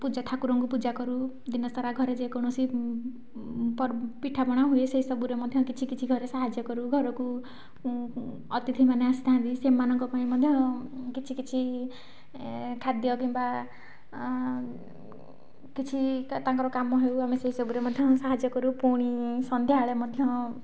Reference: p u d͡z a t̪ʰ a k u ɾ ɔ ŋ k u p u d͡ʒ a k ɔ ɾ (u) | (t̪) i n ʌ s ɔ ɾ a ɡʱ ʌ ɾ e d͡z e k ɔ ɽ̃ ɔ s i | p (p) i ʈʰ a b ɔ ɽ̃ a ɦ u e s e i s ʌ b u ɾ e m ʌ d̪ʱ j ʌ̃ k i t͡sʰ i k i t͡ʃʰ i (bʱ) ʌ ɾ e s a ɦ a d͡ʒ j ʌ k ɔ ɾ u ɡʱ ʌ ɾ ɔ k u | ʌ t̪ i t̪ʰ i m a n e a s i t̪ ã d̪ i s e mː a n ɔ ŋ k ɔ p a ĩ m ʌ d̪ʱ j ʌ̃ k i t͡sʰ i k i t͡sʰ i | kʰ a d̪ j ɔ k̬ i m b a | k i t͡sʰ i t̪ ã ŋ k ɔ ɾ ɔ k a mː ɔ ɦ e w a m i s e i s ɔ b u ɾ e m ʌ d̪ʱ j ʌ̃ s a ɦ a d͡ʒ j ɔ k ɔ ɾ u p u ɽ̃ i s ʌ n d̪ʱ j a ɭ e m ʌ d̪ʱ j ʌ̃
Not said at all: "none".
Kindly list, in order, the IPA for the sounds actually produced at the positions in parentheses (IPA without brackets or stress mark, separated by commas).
u, d̪, p, ɡʱ